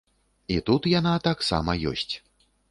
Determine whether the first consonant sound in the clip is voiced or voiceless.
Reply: voiceless